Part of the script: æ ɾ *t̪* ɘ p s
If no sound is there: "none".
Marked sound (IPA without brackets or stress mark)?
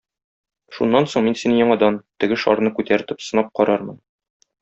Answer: t̪